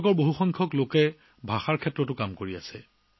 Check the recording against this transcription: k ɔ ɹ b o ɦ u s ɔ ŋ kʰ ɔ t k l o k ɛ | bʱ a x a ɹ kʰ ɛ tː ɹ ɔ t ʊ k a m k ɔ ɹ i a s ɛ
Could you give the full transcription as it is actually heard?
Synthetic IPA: k ɔ ɹ b o ɦ u x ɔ ŋ kʰ ɔ k l o k ɛ | bʱ a x a ɹ kʰ ɛ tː ɹ ɔ t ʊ k a m k o ɹ i a s ɛ